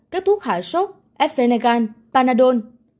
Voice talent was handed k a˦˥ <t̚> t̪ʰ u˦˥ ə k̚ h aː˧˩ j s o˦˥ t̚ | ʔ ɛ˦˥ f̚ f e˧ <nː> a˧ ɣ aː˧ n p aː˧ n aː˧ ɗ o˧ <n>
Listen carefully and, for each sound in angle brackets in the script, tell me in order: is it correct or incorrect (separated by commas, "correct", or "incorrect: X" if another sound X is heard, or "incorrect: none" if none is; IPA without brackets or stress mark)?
incorrect: k̚, incorrect: n, correct